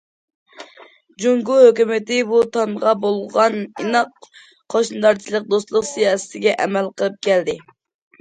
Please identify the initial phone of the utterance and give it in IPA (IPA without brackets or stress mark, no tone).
d͡ʒ